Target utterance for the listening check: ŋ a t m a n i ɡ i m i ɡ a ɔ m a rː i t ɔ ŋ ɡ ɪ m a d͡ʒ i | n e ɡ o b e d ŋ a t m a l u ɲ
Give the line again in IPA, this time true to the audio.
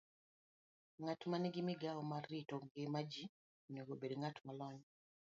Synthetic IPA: ŋ a t m a n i ɡ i m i ɡ a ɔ m a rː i t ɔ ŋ ɡ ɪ m a d͡ʒ i | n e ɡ o b e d ŋ a t m a l ɔ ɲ